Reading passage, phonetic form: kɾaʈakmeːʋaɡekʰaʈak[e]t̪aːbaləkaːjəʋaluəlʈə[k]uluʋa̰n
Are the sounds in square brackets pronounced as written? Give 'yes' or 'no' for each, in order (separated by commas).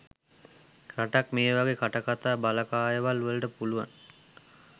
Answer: no, no